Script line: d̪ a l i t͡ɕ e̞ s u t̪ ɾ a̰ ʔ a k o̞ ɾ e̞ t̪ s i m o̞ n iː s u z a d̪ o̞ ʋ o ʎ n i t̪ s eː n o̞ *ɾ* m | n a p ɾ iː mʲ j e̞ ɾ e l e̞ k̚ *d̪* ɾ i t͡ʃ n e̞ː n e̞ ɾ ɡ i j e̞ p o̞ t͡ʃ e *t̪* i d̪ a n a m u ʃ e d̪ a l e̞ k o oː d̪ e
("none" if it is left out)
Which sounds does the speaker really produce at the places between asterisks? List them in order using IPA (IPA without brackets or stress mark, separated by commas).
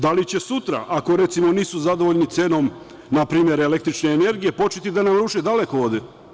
none, t̪, t̪